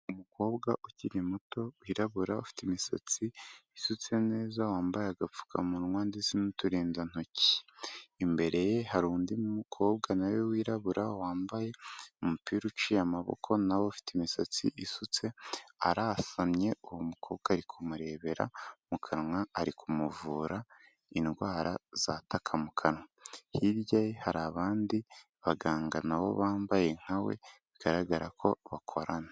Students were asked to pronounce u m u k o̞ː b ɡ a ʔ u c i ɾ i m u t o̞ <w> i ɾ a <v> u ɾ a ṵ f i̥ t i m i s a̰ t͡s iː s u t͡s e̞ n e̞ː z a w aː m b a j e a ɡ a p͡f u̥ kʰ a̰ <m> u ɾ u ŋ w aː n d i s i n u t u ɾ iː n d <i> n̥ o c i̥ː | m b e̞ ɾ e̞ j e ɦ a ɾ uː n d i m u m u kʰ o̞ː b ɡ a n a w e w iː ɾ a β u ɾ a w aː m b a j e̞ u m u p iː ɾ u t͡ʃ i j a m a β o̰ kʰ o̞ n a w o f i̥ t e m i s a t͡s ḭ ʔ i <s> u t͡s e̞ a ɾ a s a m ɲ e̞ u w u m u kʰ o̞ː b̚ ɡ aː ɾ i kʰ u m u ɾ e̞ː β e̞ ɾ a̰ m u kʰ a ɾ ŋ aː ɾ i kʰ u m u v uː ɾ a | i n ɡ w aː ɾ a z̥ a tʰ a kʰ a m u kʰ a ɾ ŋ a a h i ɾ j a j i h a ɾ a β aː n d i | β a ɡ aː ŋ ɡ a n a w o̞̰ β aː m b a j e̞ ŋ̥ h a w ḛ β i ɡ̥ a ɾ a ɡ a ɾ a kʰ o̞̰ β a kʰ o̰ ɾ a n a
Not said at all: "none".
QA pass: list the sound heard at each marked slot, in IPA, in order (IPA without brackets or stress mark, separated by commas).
w, β, m, a, s